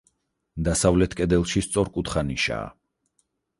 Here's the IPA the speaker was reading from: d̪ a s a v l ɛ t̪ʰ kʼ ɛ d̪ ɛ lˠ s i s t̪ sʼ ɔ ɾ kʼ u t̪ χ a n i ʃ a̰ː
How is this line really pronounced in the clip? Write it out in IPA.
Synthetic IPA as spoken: d̪ a s a v l ɛ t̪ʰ kʼ ɛ d̪ ɛ lˠ ʃ i s t̪ sʼ ɔ ɾ kʼ u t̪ χ a n i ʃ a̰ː